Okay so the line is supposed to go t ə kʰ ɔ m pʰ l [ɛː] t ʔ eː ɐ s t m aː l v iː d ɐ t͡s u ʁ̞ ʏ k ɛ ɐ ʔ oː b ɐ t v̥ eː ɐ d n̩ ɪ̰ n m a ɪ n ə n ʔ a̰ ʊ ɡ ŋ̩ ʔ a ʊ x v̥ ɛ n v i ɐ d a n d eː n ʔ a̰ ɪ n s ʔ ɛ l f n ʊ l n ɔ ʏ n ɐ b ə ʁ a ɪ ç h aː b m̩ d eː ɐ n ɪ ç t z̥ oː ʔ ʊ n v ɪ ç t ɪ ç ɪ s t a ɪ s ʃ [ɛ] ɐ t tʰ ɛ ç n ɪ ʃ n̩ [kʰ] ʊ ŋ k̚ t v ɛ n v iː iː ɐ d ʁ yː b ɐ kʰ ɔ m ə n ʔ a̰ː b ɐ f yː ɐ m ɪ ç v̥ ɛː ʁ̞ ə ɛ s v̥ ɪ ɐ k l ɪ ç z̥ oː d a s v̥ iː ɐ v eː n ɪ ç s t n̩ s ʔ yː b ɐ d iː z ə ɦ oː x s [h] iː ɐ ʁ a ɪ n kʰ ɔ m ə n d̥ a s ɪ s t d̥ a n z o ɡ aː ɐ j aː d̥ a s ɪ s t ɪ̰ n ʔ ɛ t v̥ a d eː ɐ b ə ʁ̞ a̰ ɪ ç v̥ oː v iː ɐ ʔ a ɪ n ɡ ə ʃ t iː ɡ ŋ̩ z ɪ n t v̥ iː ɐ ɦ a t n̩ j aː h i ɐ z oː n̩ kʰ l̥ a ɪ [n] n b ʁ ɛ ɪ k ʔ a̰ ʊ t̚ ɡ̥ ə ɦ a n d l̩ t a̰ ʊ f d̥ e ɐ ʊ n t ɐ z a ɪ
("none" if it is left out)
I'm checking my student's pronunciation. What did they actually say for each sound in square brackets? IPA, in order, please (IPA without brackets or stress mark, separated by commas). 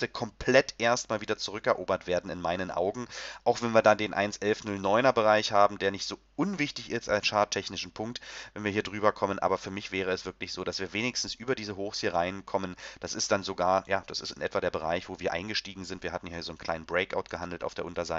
ɛ, a, pʰ, h, n